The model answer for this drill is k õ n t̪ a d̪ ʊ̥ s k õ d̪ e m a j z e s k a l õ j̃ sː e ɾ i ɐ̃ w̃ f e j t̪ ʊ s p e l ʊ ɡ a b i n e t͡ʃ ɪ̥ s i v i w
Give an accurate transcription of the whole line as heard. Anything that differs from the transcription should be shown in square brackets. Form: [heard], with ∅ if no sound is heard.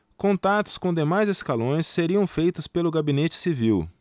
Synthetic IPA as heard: k õ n t̪ a [t̪] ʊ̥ s k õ d̪ e m a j z e s k a l õ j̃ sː e ɾ i ɐ̃ w̃ f e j t̪ ʊ s p e l ʊ ɡ a b i n e t͡ʃ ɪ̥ s i v i w

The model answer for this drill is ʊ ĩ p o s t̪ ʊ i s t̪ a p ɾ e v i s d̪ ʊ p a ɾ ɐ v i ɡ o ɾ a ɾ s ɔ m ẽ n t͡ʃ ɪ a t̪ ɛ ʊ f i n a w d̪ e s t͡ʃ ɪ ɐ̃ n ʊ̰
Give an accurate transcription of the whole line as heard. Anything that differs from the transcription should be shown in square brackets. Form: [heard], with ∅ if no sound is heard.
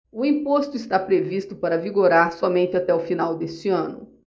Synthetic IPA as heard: ʊ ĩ p o s t̪ ʊ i s t̪ a p ɾ e v i s [t̪] ʊ p a ɾ ɐ v i ɡ o ɾ a ɾ s ɔ m ẽ n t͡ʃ ɪ a t̪ ɛ ʊ f i n a w d̪ e s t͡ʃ ɪ ɐ̃ n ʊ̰

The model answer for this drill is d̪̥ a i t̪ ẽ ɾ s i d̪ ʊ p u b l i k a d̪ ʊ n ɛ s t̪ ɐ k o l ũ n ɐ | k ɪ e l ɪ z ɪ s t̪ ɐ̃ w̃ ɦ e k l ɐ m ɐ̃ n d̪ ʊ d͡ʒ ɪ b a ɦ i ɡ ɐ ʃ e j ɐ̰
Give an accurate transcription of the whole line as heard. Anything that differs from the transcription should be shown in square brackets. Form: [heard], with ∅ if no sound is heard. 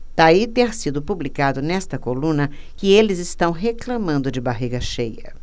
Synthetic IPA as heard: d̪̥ a i t̪ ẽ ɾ s i d̪ ʊ p u b l i k a d̪ ʊ n ɛ s t̪ ɐ k o l ũ n ɐ | k ɪ e l ɪ z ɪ s t̪ ɐ̃ w̃ ɦ e k l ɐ m ɐ̃ n d̪ ʊ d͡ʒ ɪ b a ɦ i ɡ ɐ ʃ e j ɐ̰

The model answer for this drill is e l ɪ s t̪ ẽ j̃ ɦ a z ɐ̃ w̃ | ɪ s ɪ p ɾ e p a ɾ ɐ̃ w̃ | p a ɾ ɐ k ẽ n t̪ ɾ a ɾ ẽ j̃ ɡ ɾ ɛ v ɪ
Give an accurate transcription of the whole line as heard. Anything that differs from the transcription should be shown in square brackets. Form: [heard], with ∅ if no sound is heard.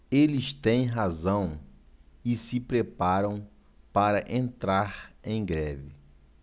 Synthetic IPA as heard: e l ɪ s t̪ ẽ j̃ ɦ a z ɐ̃ w̃ | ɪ s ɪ p ɾ e p a ɾ ɐ̃ w̃ | p a ɾ ɐ [ʔ] ẽ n t̪ ɾ a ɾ ẽ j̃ ɡ ɾ ɛ v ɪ

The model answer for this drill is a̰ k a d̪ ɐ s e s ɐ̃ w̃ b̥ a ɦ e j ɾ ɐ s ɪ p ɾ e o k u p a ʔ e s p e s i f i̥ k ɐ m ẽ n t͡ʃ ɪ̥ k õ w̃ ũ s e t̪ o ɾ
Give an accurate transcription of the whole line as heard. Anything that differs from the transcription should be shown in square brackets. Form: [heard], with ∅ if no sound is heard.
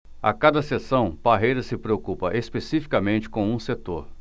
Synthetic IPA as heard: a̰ k a d̪ ɐ s e s ɐ̃ w̃ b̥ a ɦ e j ɾ ɐ s ɪ p ɾ e o k u p [ɐ] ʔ e s p e s i f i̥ k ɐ m ẽ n t͡ʃ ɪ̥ k õ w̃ ũ s e t̪ o ɾ

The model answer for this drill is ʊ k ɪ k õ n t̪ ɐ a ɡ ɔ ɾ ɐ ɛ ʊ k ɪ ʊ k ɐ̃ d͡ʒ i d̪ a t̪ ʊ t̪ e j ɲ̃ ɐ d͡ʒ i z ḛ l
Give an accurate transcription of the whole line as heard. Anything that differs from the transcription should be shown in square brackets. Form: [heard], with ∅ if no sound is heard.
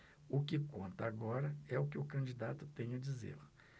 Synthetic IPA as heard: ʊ k ɪ k õ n t̪ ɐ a ɡ ɔ ɾ ɐ ɛ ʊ k ɪ ʊ k ɐ̃ d͡ʒ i d̪ a t̪ ʊ t̪ [ẽ] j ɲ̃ ɐ d͡ʒ i z ḛ l

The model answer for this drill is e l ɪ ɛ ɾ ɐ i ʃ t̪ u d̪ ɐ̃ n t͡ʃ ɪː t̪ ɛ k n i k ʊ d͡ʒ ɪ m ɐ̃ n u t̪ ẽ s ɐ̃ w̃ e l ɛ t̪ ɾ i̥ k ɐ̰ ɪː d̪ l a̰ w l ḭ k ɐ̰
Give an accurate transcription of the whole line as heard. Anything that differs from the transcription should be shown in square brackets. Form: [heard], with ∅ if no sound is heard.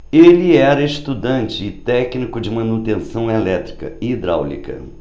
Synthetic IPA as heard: e l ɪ ɛ ɾ ɐ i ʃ t̪ u d̪ ɐ̃ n t͡ʃ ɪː t̪ ɛ k n i k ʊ d͡ʒ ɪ m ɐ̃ n u t̪ ẽ s ɐ̃ w̃ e l ɛ t̪ ɾ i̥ k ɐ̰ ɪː d̪ [ɾ] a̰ w l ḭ k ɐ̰

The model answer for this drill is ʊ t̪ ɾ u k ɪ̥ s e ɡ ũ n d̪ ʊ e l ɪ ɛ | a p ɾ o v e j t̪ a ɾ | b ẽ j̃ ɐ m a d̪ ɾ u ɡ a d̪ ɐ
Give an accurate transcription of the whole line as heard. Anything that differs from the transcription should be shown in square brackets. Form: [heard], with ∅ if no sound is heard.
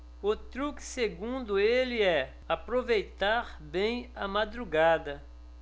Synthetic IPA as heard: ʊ t̪ ɾ u k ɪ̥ s e ɡ ũ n d̪ ʊ e l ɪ ɛ | a p ɾ o v e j t̪ a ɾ | b ẽ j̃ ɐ m a d̪ ɾ u ɡ a d̪ ɐ

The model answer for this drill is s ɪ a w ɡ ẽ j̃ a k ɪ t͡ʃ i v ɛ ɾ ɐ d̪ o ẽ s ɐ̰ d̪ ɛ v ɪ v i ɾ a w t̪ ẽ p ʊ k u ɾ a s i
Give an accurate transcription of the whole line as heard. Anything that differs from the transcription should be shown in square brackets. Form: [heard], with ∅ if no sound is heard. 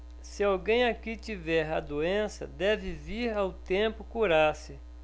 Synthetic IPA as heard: s ɪ a w ɡ ẽ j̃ a k [i] t͡ʃ i v ɛ ɾ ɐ d̪ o ẽ s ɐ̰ d̪ ɛ v ɪ v i ɾ a w t̪ ẽ p ʊ k u ɾ a s [ɪ]

